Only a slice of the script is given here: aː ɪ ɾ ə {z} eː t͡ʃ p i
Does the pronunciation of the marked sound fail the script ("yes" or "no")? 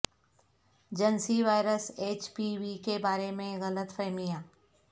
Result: yes